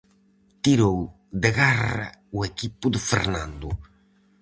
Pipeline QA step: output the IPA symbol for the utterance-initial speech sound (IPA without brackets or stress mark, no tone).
t̪